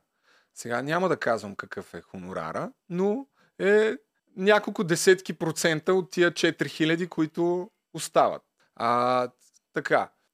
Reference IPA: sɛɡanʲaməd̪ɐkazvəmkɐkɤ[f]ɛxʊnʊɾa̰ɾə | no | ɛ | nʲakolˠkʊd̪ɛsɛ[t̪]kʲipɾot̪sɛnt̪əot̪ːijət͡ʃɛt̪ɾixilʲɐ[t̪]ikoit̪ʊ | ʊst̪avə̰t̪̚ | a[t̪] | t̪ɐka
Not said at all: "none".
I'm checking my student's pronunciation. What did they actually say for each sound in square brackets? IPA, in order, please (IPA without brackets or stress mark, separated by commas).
f, t̪, d̪, none